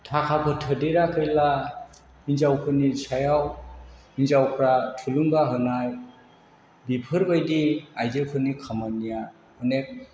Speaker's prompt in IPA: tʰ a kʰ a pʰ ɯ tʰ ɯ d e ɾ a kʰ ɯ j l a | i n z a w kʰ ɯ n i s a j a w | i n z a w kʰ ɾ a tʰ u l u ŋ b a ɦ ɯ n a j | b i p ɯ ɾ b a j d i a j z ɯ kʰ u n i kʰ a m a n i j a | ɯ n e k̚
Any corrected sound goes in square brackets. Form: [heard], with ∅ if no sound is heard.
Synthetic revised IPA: tʰ a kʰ a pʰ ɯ tʰ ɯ d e ɾ a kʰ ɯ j l a | i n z a w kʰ ɯ n i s a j a w | i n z a w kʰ ɾ a tʰ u l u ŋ b a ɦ ɯ n a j | b i [pʰ] ɯ ɾ b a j d i a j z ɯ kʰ [ɯ] n i kʰ a m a n i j a | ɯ n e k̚